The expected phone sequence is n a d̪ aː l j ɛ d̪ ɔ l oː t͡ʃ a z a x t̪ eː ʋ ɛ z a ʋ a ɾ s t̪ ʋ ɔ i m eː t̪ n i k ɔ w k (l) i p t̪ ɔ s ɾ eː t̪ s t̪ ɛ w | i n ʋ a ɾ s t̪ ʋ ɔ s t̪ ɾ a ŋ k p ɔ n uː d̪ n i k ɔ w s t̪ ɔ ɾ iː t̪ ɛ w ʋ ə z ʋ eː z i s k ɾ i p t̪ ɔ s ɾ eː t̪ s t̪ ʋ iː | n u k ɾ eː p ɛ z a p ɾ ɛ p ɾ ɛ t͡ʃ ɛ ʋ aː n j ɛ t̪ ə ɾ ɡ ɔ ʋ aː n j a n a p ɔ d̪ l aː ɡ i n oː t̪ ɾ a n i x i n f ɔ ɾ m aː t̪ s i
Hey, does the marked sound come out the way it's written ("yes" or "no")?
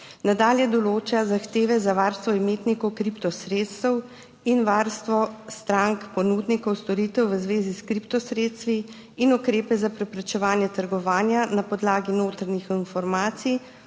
no